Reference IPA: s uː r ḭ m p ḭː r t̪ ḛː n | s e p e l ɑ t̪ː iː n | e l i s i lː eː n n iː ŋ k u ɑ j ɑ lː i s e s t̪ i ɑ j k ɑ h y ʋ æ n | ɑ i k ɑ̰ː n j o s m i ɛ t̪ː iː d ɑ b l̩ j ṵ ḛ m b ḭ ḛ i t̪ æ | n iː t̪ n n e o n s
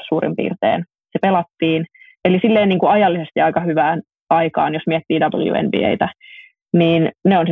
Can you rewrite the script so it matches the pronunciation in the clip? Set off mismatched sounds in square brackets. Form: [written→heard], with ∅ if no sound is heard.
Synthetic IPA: s uː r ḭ m p ḭː r t̪ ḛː n | s e p e l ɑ t̪ː iː n | e l i s i lː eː n n iː ŋ k u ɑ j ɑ lː i s e s t̪ i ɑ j k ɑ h y ʋ [æ→æː] n | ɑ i k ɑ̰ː n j o s m i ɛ t̪ː iː d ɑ b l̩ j ṵ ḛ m b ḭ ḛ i t̪ æ | n iː [t̪→∅] n n e o n s